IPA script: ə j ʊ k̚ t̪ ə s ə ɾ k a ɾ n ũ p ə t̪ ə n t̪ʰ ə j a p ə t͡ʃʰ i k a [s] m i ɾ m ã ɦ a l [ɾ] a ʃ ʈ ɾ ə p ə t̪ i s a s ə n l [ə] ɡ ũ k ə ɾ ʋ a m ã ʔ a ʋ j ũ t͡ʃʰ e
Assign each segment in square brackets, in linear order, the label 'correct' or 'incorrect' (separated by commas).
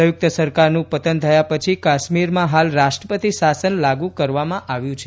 incorrect, correct, incorrect